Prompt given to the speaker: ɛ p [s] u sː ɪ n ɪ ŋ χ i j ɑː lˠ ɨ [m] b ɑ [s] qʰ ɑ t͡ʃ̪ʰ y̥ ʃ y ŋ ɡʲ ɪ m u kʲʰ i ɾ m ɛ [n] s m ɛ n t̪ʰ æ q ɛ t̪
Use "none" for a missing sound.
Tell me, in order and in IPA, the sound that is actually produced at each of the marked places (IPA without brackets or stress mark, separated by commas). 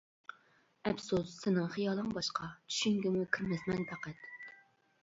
s, ŋ, ʃ, none